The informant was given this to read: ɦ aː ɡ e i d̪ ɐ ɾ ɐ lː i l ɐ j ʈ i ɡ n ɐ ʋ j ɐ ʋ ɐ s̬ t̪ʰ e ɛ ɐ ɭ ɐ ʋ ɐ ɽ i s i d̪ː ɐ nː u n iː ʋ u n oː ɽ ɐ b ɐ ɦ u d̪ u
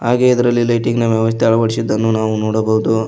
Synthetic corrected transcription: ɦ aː ɡ e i d̪ ɐ ɾ ɐ lː i l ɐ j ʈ i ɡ n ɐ ʋ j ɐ ʋ ɐ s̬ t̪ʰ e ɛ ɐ ɭ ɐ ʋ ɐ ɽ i s i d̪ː ɐ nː u n aː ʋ u n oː ɽ ɐ b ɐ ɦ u d̪ u